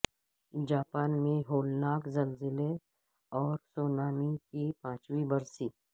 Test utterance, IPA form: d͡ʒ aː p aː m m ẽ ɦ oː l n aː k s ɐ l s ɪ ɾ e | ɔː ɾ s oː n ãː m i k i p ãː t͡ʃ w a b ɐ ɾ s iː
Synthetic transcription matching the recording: d͡ʒ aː p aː n m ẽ ɦ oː l n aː k z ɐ l z ɪ l e | ɔː ɾ s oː n aː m i k i p ãː t͡ʃ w i b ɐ ɾ s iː